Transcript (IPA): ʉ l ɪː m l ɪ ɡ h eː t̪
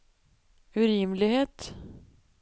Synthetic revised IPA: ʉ ɾ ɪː m l ɪ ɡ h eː t̪